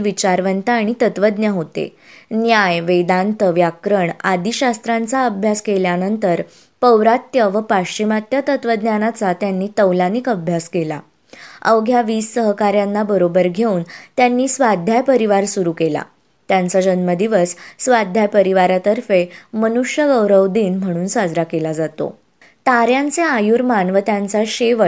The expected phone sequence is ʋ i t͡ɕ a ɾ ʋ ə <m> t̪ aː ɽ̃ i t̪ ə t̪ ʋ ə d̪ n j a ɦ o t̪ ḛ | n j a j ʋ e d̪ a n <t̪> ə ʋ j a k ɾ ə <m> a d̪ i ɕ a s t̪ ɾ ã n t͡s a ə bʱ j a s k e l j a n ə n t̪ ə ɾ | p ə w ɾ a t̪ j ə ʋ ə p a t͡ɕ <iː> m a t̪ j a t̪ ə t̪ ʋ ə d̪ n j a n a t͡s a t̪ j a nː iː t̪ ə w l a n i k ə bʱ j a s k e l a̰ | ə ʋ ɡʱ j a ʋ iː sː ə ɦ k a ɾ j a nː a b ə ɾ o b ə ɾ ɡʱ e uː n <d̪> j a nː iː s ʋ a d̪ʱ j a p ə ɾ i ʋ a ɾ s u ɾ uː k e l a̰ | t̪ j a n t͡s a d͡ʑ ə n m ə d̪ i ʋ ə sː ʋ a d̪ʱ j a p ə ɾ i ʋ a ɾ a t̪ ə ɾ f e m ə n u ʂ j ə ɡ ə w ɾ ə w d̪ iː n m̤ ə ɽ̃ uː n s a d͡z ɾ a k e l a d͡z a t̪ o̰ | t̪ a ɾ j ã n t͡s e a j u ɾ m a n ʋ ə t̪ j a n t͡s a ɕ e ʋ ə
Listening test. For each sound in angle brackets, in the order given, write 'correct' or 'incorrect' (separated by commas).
incorrect, correct, incorrect, incorrect, incorrect